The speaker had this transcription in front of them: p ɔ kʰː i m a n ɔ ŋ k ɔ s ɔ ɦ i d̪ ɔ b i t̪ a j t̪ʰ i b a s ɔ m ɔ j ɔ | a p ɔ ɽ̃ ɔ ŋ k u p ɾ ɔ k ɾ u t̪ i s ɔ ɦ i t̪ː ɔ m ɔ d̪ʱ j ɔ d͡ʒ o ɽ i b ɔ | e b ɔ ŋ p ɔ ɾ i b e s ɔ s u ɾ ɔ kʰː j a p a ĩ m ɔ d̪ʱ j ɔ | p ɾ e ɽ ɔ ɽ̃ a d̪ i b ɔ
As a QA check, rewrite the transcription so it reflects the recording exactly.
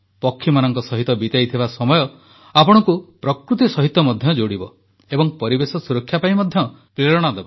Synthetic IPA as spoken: p ɔ kʰː i m a n ɔ ŋ k ɔ s ɔ ɦ i t̪ ɔ b i t̪ a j t̪ʰ i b a s ɔ m ɔ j ɔ | a p ɔ ɽ̃ ɔ ŋ k u p ɾ ɔ k ɾ u t̪ i s ɔ ɦ i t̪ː ɔ m ɔ d̪ʱ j ɔ d͡ʒ o ɽ i b ɔ | e b ɔ ŋ p ɔ ɾ i b e s ɔ s u ɾ ɔ kʰː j a p a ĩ m ɔ d̪ʱ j ɔ | p ɾ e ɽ ɔ ɽ̃ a d̪ e b ɔ